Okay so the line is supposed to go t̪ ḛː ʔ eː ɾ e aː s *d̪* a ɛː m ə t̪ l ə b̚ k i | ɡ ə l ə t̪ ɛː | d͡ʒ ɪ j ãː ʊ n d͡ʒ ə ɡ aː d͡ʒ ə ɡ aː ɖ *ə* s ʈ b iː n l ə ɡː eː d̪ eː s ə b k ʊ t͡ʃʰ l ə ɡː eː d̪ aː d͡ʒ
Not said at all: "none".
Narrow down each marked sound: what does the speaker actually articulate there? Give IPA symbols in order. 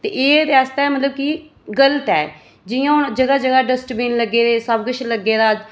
t̪, ə

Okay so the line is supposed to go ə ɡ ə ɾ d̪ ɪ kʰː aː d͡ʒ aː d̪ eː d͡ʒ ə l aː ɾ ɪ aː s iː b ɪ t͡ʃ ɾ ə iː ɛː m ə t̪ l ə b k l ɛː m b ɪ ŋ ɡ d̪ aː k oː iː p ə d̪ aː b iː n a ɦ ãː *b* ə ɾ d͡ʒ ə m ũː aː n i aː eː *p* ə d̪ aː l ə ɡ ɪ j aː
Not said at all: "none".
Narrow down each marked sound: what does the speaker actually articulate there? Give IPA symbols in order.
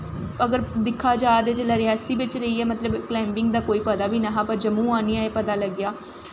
p, p

